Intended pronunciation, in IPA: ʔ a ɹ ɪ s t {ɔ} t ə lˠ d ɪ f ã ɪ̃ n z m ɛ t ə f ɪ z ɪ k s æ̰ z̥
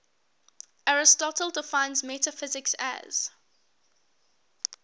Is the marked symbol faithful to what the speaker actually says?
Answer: yes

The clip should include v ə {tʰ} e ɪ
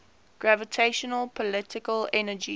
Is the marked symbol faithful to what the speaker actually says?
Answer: yes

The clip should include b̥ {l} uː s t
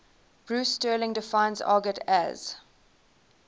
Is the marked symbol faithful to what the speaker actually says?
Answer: no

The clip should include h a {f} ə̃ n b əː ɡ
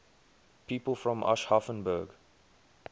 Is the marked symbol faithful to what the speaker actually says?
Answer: yes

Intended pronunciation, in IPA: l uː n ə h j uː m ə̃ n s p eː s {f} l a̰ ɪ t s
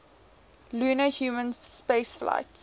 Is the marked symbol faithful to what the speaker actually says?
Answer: yes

